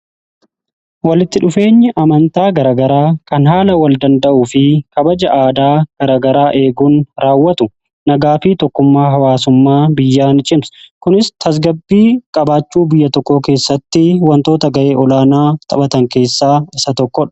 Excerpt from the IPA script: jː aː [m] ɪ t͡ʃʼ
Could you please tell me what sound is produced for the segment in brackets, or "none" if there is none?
n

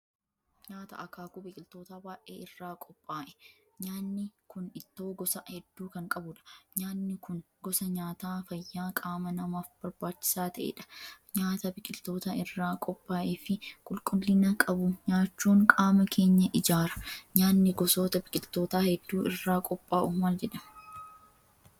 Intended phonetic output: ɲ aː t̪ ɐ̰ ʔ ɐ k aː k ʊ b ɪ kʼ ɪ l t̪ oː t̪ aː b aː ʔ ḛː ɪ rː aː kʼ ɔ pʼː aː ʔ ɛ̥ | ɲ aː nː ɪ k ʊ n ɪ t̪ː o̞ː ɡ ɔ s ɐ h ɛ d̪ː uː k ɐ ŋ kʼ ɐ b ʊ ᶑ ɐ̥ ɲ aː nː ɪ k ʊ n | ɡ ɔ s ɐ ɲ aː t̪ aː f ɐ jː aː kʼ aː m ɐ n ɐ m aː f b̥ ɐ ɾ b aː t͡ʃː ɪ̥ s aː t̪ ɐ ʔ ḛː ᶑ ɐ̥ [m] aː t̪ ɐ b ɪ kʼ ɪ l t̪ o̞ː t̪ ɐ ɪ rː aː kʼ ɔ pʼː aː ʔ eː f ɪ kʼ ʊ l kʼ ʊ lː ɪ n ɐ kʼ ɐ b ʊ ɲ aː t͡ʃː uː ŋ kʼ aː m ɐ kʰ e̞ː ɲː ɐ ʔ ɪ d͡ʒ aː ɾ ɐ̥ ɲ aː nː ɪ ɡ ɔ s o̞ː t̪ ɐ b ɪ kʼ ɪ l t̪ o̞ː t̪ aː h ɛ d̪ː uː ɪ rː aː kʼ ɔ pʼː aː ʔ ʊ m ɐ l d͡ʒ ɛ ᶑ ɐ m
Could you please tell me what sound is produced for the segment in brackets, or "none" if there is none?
ɲ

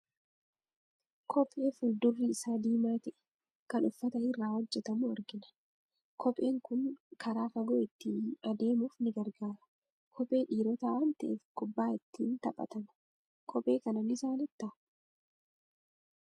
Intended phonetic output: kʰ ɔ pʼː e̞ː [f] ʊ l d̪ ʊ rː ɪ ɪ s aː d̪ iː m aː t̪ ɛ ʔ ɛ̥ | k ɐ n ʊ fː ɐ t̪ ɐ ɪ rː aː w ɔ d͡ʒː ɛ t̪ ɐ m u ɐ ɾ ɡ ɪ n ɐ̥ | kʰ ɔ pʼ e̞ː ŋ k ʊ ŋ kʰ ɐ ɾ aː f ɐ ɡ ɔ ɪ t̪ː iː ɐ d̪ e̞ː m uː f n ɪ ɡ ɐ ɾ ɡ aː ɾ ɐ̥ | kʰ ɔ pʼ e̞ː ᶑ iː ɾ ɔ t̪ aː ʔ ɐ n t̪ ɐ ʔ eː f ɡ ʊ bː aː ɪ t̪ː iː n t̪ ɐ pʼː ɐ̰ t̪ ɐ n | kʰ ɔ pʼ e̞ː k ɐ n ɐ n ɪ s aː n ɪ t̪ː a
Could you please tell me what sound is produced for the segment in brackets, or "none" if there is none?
f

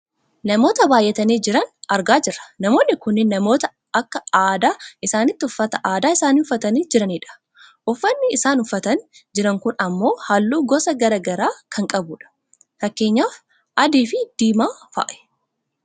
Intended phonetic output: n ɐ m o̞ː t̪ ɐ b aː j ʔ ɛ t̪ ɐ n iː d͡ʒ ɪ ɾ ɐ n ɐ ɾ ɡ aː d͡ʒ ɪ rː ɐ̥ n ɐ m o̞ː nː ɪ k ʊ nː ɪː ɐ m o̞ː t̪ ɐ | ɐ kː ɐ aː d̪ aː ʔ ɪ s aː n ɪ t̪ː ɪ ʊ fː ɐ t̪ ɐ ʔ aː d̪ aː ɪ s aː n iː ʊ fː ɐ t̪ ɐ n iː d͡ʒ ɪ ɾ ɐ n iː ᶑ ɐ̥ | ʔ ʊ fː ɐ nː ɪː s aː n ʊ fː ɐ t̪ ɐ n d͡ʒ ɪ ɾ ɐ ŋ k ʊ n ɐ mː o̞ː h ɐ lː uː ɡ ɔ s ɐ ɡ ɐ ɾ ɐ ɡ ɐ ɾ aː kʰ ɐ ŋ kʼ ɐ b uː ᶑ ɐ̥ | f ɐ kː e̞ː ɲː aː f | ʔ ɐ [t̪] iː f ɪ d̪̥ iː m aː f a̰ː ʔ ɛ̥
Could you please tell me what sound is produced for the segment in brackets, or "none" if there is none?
d̪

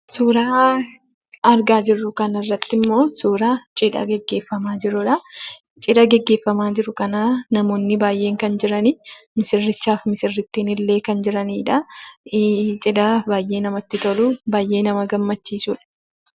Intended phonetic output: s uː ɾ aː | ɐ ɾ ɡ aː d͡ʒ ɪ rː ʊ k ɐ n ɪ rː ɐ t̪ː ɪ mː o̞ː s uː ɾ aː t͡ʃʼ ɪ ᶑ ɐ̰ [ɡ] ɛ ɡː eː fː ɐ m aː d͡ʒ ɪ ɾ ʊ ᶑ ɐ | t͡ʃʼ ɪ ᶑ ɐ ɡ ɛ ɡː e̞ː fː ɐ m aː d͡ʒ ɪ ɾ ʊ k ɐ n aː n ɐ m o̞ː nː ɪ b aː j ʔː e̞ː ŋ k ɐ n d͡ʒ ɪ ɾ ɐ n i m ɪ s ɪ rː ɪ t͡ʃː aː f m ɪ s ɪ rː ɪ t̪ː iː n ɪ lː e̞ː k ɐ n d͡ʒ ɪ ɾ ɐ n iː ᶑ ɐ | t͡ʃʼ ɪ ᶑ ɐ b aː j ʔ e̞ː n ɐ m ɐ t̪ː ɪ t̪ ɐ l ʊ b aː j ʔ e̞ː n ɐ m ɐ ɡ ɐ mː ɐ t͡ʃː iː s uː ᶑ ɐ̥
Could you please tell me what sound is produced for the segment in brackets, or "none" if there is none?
ɡ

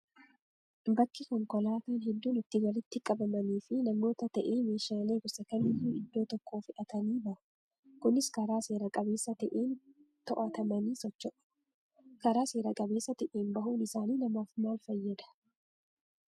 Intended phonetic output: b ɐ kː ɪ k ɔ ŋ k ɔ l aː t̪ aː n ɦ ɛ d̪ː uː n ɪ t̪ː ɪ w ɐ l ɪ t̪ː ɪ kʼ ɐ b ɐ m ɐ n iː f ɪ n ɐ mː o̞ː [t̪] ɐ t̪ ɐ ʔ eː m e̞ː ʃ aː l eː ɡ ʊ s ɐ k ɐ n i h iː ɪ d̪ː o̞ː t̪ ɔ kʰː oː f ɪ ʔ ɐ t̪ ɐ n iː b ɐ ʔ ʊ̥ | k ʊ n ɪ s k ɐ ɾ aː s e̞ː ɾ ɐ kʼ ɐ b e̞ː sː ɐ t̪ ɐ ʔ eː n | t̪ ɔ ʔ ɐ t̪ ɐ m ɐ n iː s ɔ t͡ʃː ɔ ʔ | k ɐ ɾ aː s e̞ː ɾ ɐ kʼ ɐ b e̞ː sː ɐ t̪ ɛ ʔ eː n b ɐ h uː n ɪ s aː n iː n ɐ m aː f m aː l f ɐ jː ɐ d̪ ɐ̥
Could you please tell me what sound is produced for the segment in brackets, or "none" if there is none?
t̪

